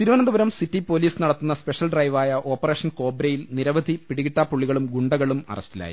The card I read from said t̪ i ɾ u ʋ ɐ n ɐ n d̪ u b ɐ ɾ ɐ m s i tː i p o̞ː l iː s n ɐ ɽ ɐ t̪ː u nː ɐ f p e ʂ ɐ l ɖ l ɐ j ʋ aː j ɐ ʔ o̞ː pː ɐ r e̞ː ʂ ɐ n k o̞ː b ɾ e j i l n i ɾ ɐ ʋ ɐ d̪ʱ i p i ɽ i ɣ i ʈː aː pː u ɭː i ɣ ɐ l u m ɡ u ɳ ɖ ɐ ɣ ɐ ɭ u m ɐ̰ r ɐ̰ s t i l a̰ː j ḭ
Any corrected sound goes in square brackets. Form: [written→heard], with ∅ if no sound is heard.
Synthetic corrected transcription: t̪ i ɾ u ʋ ɐ n ɐ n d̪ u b ɐ ɾ ɐ m s i tː i p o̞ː l iː s n ɐ ɽ ɐ t̪ː u nː ɐ [f→s] p e ʂ ɐ l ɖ [l→r] ɐ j ʋ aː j ɐ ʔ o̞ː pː ɐ r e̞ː ʂ ɐ n k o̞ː b ɾ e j i l n i ɾ ɐ ʋ ɐ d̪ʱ i p i ɽ i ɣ i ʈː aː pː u ɭː i ɣ ɐ [l→ɭ] u m ɡ u ɳ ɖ ɐ ɣ ɐ ɭ u m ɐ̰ r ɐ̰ s t i l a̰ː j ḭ

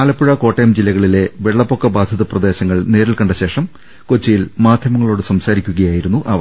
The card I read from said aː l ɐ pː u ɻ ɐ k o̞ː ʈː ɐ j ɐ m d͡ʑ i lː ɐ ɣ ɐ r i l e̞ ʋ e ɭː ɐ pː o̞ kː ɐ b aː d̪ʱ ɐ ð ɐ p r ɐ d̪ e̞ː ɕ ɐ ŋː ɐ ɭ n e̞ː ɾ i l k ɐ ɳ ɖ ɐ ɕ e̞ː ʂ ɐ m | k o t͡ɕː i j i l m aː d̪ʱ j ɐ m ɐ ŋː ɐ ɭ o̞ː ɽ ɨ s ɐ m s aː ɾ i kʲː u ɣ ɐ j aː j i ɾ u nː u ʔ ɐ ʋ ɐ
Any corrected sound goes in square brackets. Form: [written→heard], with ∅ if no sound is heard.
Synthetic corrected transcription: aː l ɐ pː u ɻ ɐ k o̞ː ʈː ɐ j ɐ m d͡ʑ i lː ɐ ɣ ɐ [r→ɭ] i l e̞ ʋ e ɭː ɐ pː o̞ kː ɐ b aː d̪ʱ ɐ ð ɐ p r ɐ d̪ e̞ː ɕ ɐ ŋː ɐ ɭ n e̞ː ɾ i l k ɐ ɳ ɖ ɐ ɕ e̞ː ʂ ɐ m | k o t͡ɕː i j i l m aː d̪ʱ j ɐ m ɐ ŋː ɐ ɭ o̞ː ɽ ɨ s ɐ m s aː ɾ i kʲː u ɣ ɐ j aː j i ɾ u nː u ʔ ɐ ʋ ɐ

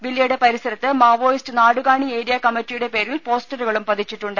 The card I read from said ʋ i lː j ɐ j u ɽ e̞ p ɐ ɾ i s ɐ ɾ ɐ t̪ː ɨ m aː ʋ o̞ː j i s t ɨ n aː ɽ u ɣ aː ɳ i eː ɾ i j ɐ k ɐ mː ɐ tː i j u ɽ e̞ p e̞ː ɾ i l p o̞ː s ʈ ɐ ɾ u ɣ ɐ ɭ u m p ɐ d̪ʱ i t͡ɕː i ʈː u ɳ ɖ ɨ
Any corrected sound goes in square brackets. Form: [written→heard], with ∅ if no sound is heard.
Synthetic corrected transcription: ʋ i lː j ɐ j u ɽ e̞ p ɐ ɾ i s ɐ ɾ ɐ t̪ː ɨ m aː ʋ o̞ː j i s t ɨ n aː ɽ u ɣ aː ɳ i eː ɾ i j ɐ k ɐ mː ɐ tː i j u ɽ e̞ p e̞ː ɾ i l p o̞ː s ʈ ɐ ɾ u ɣ ɐ ɭ u m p ɐ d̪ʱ i t͡ɕː i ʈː u ɳ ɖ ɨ

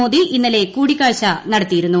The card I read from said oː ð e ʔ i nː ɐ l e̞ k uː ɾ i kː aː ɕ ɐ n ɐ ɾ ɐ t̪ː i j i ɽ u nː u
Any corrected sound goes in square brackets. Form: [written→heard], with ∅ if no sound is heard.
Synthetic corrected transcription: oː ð [e→i] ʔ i nː ɐ l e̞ k uː [ɾ→ɽ] i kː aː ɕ ɐ n ɐ [ɾ→ɽ] ɐ t̪ː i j i [ɽ→ɾ] u nː u

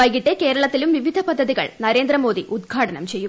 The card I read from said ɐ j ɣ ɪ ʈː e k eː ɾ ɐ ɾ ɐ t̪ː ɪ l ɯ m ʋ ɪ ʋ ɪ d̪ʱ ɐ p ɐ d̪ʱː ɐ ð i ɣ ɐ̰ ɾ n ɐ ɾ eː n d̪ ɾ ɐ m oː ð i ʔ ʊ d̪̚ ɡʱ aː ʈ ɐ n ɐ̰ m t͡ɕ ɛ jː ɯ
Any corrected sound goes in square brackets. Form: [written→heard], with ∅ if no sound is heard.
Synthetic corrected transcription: ɐ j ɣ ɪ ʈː e k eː ɾ ɐ [ɾ→ɭ] ɐ t̪ː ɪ l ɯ m ʋ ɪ ʋ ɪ d̪ʱ ɐ p ɐ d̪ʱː ɐ ð i ɣ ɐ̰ [ɾ→ɭ] n ɐ ɾ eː n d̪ ɾ ɐ m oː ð i ʔ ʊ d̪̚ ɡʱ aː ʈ ɐ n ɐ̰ m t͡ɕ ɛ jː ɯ

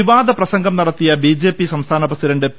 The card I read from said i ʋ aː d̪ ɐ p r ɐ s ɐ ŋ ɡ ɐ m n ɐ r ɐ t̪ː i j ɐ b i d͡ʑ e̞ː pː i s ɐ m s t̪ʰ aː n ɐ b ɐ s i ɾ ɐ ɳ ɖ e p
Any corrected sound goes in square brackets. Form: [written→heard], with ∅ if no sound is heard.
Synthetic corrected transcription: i ʋ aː d̪ ɐ p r ɐ s ɐ ŋ ɡ ɐ m n ɐ [r→ɽ] ɐ t̪ː i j ɐ b i d͡ʑ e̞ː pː i s ɐ m s t̪ʰ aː n ɐ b ɐ s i ɾ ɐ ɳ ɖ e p

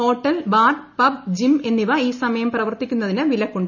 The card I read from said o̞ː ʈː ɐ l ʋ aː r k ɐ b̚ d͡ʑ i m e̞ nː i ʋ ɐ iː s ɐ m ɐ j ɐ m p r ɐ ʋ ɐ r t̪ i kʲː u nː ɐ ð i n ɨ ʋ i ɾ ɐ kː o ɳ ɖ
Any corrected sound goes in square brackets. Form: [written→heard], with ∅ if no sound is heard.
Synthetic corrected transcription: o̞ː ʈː ɐ l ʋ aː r [k→p] ɐ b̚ d͡ʑ i m e̞ nː i ʋ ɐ iː s ɐ m ɐ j ɐ m p r ɐ ʋ ɐ r t̪ i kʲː u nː ɐ ð i n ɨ ʋ i [ɾ→l] ɐ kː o ɳ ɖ

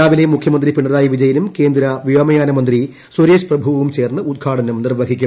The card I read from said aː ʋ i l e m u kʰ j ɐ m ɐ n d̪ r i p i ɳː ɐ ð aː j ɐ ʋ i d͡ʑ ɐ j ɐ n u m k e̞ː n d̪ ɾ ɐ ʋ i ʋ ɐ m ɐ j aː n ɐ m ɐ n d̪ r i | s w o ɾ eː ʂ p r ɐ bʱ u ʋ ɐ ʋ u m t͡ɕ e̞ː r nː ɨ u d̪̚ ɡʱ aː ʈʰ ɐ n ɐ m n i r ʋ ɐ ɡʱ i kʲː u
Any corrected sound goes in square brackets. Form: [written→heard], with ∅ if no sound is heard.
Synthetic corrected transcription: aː ʋ i l e m u kʰ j ɐ m ɐ n d̪ r i p i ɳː ɐ ð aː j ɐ ʋ i d͡ʑ ɐ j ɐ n u m k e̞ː n d̪ ɾ ɐ ʋ i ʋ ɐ m ɐ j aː n ɐ m ɐ n d̪ r i | s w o ɾ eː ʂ p r ɐ bʱ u ʋ ɐ ʋ u m t͡ɕ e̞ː r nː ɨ u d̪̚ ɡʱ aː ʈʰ ɐ n ɐ m n i r ʋ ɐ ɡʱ i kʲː u

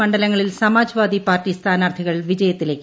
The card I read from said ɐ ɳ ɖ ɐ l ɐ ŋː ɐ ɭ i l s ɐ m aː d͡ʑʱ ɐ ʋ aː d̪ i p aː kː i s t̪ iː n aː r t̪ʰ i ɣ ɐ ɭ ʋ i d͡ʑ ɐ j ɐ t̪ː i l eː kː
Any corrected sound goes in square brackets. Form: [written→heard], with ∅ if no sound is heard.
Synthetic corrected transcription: ɐ ɳ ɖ ɐ l ɐ ŋː ɐ ɭ i l s ɐ m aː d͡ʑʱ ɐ ʋ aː d̪ i p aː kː i s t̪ [iː→aː] n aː r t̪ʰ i ɣ ɐ ɭ ʋ i d͡ʑ ɐ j ɐ t̪ː i l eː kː

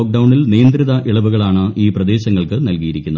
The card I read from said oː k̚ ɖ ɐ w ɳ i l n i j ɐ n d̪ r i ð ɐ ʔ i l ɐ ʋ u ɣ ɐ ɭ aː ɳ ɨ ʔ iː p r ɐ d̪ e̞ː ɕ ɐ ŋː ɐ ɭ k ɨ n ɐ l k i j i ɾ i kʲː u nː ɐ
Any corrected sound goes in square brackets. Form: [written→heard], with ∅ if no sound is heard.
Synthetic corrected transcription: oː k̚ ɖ ɐ w ɳ i l n i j ɐ n d̪ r i ð ɐ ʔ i [l→ɭ] ɐ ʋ u ɣ ɐ ɭ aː ɳ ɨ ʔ iː p r ɐ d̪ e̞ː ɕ ɐ ŋː ɐ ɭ k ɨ n ɐ l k i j i ɾ i kʲː u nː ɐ

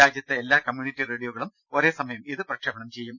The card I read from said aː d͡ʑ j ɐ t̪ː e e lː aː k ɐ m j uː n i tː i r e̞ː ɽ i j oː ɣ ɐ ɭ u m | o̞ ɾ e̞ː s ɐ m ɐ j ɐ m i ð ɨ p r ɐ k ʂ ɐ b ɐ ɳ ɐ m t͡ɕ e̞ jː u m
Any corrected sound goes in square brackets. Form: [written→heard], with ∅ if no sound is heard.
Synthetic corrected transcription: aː d͡ʑ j ɐ t̪ː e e lː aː k ɐ m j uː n i tː i r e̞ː ɽ i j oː ɣ ɐ ɭ u m | o̞ ɾ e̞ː s ɐ m ɐ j ɐ m i ð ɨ p r ɐ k ʂ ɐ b ɐ ɳ ɐ m t͡ɕ e̞ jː u m

